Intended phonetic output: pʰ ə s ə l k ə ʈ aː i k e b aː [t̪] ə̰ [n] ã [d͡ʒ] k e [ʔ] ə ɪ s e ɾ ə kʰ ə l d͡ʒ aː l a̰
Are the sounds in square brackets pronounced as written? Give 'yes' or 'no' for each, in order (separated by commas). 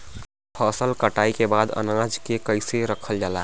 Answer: no, yes, yes, no